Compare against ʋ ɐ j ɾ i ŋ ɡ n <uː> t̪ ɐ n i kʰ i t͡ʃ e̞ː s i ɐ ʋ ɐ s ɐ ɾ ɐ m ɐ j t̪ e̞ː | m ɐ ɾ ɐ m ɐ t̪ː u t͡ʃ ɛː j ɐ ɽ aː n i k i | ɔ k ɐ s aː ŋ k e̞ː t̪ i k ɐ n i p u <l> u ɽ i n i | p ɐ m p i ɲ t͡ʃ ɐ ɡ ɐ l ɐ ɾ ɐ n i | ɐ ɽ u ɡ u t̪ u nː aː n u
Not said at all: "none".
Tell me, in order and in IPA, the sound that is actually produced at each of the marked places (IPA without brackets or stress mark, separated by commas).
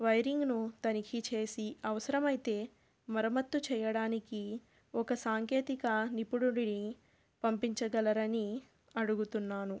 u, ɽ